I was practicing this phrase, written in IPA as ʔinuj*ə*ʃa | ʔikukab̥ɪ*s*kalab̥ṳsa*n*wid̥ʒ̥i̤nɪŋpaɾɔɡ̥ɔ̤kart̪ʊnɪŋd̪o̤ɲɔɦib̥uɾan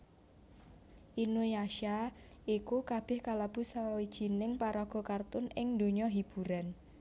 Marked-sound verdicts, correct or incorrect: incorrect: a, incorrect: h, incorrect: none

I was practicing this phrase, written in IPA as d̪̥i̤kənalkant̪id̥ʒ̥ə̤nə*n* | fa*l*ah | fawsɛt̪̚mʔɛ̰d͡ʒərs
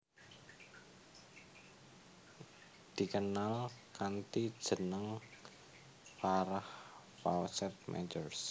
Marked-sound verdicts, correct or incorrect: incorrect: ŋ, incorrect: ɾ

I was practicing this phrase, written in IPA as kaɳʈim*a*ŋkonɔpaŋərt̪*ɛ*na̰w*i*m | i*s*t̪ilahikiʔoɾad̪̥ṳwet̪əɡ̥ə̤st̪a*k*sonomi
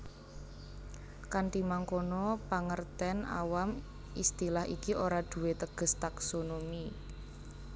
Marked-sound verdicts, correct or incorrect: correct, correct, incorrect: a, correct, correct

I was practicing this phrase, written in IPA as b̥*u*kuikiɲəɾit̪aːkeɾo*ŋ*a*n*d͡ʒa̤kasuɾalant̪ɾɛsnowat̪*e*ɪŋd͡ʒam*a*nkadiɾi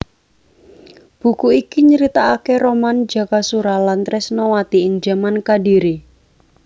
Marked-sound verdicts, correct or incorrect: correct, incorrect: m, correct, incorrect: i, correct

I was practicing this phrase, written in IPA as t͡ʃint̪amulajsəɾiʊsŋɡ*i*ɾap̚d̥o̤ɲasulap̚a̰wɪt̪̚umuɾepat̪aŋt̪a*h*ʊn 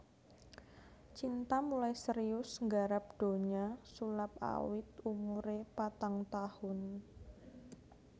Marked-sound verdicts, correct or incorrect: incorrect: a, correct

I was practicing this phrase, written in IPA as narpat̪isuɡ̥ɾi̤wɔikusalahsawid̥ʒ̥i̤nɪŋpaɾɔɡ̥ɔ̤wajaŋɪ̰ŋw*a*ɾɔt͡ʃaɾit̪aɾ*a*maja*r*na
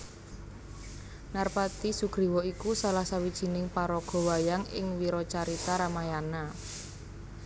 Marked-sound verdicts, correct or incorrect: incorrect: i, correct, incorrect: none

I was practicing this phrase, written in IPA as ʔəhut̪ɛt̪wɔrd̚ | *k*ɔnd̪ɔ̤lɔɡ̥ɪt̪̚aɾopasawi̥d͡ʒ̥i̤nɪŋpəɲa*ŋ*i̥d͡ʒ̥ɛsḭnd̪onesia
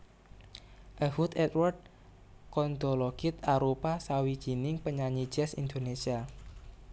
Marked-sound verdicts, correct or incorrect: correct, incorrect: ɲ

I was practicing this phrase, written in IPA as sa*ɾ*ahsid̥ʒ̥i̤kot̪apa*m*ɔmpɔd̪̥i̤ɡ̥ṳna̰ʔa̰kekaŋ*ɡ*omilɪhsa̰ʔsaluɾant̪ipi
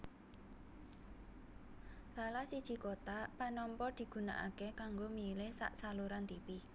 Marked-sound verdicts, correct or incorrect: incorrect: l, incorrect: n, correct

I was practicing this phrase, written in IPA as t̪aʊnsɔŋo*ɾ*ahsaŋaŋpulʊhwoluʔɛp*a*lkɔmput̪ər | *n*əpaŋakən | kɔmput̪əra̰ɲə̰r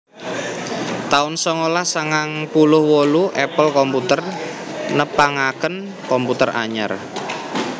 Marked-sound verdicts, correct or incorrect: incorrect: l, incorrect: ə, correct

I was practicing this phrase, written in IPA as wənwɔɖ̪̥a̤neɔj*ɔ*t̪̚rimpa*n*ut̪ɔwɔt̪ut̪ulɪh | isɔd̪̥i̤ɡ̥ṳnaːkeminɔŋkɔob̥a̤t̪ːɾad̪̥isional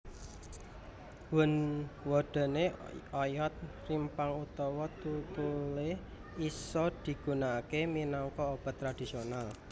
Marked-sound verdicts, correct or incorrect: correct, incorrect: ŋ

